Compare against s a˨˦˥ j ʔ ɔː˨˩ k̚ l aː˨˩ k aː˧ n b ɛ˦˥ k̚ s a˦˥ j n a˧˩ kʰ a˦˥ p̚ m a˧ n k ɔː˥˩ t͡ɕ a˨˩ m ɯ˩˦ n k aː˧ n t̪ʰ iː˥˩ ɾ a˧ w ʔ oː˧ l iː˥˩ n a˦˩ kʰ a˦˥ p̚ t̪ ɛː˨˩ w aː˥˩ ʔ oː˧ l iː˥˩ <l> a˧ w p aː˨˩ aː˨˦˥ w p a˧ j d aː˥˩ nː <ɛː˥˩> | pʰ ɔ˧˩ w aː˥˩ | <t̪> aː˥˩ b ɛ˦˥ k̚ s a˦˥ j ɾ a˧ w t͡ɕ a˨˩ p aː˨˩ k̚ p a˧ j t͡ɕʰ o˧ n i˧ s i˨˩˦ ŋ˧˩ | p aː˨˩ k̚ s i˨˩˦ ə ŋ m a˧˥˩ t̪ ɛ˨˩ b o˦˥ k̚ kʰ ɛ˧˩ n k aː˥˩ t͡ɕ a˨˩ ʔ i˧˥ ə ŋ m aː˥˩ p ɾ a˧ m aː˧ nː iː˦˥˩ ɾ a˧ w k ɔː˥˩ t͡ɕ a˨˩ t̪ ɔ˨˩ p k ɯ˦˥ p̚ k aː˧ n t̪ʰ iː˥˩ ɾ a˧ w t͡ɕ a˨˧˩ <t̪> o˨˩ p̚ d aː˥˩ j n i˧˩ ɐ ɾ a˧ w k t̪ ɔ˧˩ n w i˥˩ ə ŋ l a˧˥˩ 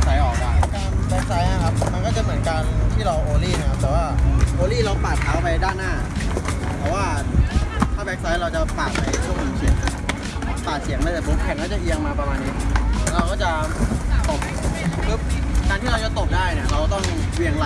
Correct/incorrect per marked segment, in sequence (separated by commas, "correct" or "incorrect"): incorrect, incorrect, incorrect, correct